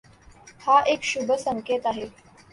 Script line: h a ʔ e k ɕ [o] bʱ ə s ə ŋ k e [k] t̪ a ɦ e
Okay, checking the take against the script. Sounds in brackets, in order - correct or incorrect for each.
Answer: incorrect: u, incorrect: none

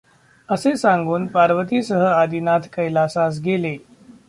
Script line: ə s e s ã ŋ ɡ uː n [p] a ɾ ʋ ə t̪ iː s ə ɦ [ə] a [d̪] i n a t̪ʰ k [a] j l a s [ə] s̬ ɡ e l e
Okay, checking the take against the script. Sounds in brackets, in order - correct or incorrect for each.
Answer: correct, correct, correct, incorrect: ə, incorrect: a

